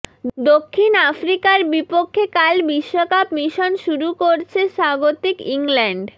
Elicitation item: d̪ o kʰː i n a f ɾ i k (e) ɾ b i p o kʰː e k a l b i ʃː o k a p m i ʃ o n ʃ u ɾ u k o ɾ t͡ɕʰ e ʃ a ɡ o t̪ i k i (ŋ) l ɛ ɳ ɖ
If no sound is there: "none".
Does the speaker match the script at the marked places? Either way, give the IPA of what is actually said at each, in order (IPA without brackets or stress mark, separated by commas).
a, ŋ